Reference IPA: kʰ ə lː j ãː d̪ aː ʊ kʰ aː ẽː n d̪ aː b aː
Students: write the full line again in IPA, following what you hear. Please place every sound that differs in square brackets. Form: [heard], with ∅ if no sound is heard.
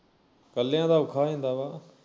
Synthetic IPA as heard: [k] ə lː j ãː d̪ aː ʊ kʰ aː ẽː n d̪ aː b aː